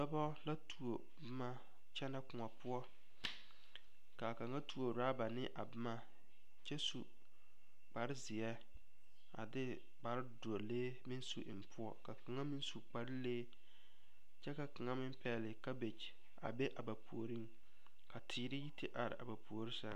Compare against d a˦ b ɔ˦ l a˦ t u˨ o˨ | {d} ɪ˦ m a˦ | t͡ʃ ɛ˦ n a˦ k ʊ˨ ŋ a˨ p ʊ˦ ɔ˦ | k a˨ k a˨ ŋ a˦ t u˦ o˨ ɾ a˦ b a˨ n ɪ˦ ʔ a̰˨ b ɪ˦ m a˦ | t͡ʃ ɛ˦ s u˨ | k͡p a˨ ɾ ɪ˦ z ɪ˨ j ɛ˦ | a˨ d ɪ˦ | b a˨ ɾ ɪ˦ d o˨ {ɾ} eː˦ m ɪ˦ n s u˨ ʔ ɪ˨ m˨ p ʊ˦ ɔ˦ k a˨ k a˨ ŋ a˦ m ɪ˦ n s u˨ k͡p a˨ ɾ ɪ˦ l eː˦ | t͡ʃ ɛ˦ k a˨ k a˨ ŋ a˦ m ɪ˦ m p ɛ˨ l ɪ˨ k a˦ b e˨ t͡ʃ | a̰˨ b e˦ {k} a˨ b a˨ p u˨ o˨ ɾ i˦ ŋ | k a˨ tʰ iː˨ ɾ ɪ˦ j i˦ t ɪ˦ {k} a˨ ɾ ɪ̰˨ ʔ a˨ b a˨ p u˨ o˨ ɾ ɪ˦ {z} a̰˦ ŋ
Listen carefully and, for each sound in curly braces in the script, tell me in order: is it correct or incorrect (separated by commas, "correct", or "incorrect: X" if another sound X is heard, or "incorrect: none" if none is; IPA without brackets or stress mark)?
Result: incorrect: b, incorrect: l, incorrect: ʔ, incorrect: ʔ, incorrect: s